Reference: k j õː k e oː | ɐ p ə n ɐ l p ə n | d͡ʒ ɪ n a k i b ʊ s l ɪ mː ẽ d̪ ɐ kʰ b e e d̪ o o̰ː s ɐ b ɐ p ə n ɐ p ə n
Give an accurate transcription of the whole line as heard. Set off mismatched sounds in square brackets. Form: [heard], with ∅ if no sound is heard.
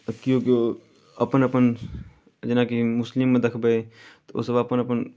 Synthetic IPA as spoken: k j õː k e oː | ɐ p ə n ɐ [∅] p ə n | d͡ʒ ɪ n a k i [m] ʊ s l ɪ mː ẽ d̪ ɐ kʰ b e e [t̪] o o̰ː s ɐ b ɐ p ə n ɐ p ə n

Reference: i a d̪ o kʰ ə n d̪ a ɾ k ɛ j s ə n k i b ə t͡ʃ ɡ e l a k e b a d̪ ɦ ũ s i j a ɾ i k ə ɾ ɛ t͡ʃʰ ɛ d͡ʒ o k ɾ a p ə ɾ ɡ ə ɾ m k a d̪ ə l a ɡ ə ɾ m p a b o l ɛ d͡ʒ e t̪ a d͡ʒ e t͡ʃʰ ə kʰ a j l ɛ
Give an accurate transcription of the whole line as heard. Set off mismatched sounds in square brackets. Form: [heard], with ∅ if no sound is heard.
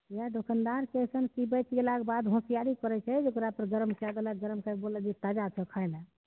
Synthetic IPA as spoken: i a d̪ o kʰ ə n d̪ a ɾ k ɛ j s ə n k i b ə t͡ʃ ɡ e l a k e b a d̪ ɦ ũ s i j a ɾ i k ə ɾ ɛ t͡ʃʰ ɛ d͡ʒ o k ɾ a p ə ɾ ɡ ə ɾ m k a d̪ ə l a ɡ ə ɾ m [k] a b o l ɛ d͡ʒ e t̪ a d͡ʒ [a] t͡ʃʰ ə kʰ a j l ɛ

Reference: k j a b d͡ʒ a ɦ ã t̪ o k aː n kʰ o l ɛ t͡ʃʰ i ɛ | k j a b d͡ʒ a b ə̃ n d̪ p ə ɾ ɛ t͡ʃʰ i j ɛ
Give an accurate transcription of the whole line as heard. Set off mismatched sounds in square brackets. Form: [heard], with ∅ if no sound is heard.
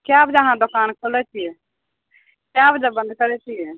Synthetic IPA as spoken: k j a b d͡ʒ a ɦ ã [d̪] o k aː n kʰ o l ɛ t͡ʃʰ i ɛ | k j a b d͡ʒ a b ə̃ n d̪ [k] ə ɾ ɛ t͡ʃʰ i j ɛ

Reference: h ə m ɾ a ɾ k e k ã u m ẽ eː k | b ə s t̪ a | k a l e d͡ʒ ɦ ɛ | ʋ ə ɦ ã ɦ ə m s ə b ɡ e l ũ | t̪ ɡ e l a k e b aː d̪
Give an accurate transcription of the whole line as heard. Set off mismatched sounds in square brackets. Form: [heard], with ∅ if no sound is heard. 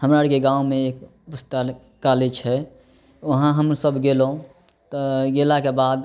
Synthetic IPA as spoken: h ə m ɾ a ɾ k e [ɡ] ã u m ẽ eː k | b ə s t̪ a | k a l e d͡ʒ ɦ ɛ | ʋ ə ɦ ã ɦ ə m s ə b ɡ e l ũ | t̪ ɡ e l a k e b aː d̪

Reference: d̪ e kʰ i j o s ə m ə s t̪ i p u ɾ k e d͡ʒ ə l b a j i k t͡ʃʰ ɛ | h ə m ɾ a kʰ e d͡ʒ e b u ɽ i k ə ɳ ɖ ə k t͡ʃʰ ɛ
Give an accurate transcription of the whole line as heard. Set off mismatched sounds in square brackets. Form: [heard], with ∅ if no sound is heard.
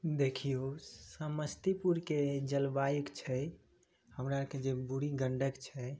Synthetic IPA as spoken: d̪ e kʰ i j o s ə m ə s t̪ i p u ɾ k e d͡ʒ ə l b a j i k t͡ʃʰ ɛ | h ə m ɾ a [k] e d͡ʒ e b u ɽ i [ɡ] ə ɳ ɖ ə k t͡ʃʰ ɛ

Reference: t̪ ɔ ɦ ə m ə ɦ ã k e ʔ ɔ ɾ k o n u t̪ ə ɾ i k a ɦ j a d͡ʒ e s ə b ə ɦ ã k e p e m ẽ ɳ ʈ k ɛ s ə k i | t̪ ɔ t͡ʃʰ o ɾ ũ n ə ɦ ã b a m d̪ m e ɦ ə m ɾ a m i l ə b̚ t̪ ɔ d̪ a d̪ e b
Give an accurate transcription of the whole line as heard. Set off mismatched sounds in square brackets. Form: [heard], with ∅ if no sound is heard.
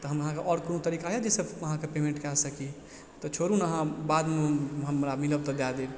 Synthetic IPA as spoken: t̪ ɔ ɦ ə m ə ɦ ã k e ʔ ɔ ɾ k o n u t̪ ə ɾ i k a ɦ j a d͡ʒ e s ə b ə ɦ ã k e p e m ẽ ɳ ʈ k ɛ s ə k i | t̪ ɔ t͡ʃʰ o ɾ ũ n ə ɦ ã b a [∅] d̪ m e ɦ ə m ɾ a m i l ə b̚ t̪ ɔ d̪ a d̪ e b

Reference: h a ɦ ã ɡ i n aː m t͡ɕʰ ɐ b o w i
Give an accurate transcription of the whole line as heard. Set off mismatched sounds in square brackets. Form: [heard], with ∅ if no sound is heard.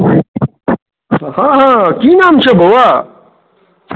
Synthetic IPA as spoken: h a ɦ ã [k] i n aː m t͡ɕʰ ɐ b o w [a]

